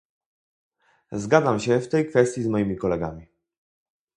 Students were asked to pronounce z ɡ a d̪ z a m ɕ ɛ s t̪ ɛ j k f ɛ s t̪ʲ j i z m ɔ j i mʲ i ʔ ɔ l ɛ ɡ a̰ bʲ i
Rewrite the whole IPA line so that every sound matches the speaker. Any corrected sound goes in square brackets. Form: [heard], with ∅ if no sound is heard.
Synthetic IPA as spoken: z ɡ a d̪ z a m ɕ ɛ [f] t̪ ɛ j k f ɛ s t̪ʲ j i z m ɔ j i mʲ i [k] ɔ l ɛ ɡ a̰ [mʲ] i